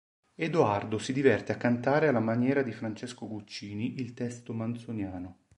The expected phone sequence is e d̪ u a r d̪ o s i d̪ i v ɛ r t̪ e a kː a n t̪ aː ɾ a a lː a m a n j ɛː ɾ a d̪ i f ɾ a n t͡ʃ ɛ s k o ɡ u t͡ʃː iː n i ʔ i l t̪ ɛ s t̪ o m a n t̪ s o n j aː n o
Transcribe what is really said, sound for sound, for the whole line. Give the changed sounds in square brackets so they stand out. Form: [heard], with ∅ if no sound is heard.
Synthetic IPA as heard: e d̪ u a r d̪ o s i d̪ i v ɛ r t̪ e a kː a n t̪ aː ɾ [e] a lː a m a n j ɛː ɾ a d̪ i f ɾ a n t͡ʃ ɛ s k o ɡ u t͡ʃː iː n i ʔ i l t̪ ɛ s t̪ o m a n t̪ s o n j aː n o

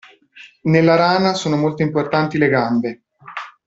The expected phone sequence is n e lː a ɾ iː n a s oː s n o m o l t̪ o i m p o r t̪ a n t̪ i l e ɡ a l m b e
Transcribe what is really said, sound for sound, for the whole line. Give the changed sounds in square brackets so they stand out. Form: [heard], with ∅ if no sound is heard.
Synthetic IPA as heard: n e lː a ɾ [aː] n a s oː [∅] n o m o l t̪ o i m p o r t̪ a n t̪ i l e ɡ a [∅] m b e

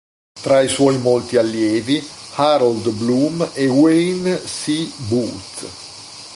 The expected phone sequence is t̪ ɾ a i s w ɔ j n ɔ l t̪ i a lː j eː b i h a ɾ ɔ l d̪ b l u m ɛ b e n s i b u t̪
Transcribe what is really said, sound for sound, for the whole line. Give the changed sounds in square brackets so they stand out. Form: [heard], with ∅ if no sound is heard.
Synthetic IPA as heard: t̪ ɾ a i s w ɔ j [m] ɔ l t̪ i a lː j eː [v] i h a ɾ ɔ l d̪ b l u m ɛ [w] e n s i b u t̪

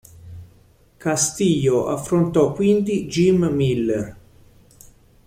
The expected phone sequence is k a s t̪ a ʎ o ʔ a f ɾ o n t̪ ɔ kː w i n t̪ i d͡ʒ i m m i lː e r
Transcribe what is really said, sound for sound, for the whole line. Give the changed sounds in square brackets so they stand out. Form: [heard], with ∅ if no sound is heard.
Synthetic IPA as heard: k a s t̪ [i] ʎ o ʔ a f ɾ o n t̪ ɔ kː w i n [d̪] i d͡ʒ i m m i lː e r

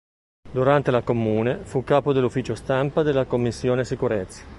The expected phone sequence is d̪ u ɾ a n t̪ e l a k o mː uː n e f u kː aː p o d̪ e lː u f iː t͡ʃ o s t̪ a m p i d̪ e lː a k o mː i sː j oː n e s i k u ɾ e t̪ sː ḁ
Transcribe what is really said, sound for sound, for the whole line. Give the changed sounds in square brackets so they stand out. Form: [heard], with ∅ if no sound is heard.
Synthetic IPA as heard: d̪ u ɾ a n t̪ e l a k o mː uː n e f u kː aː p o d̪ e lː u f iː t͡ʃ o s t̪ a m p [a] d̪ e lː a k o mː i sː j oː n e s i k u ɾ e t̪ sː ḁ

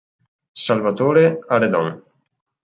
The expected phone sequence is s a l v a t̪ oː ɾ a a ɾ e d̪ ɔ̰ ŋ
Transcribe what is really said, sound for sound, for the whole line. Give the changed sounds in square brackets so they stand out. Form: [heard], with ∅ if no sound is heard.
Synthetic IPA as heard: s a l v a t̪ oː ɾ [e] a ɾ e d̪ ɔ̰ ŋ

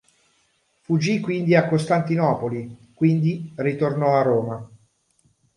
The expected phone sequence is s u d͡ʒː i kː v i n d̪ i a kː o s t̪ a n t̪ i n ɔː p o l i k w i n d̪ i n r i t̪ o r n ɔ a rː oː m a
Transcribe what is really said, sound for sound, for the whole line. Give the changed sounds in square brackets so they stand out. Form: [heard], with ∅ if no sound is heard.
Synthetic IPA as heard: [f] u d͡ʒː i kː [w] i n d̪ i a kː o s t̪ a n t̪ i n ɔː p o l i k w i n d̪ i [∅] r i t̪ o r n ɔ a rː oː m a

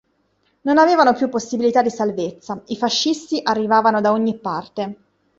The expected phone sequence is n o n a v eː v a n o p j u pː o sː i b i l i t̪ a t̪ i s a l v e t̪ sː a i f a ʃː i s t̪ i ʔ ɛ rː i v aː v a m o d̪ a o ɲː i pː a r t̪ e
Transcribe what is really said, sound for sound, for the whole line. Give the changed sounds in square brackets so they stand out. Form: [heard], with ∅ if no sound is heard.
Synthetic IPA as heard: n o n a v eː v a n o p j u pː o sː i b i l i t̪ a [d̪] i s a l v e t̪ sː a i f a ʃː i s t̪ i ʔ [a] rː i v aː v a [n] o d̪ a o ɲː i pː a r t̪ e

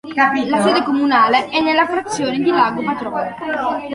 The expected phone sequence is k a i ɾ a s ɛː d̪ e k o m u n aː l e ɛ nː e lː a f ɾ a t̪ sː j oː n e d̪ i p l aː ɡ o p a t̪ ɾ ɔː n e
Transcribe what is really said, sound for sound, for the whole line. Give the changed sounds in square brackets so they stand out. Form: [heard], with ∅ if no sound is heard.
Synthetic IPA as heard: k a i [l] a s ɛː d̪ e k o m u n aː l e ɛ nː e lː a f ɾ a t̪ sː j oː n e d̪ i [∅] l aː ɡ o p a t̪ ɾ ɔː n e

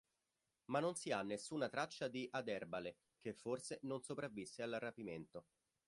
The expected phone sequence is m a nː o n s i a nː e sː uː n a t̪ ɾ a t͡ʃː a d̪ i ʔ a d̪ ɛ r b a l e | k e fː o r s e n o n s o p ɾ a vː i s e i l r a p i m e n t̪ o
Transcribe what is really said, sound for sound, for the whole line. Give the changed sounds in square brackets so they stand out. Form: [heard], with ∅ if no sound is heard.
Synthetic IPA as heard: m a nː o n s i a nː e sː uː n a t̪ ɾ a t͡ʃː a d̪ i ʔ a d̪ ɛ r b a l e | k e fː o r s e n o n s o p ɾ a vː i [sː] e [a] l r a p i m e n t̪ o

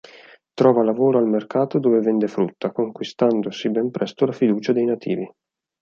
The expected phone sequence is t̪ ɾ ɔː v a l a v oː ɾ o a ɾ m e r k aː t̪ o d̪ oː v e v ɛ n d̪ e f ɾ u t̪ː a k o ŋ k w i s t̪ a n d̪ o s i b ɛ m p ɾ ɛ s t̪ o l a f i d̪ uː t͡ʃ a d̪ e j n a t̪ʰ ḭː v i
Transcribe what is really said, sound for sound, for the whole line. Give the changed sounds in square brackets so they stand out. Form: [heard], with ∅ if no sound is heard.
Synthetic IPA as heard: t̪ ɾ ɔː v a l a v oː ɾ o a [l] m e r k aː t̪ o d̪ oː v e v ɛ n d̪ e f ɾ u t̪ː a k o ŋ k w i s t̪ a n d̪ o s i b ɛ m p ɾ ɛ s t̪ o l a f i d̪ uː t͡ʃ a d̪ e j n a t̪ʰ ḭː v i

